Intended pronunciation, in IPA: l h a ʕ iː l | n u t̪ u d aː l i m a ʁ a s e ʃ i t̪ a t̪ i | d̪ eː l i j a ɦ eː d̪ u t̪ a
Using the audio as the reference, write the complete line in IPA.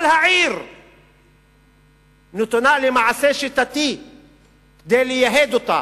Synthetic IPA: l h a ʕ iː ɾ | n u t̪ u n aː l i m a ʕ a s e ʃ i t̪ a t̪ i | d̪ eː l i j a ɦ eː d̪ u t̪ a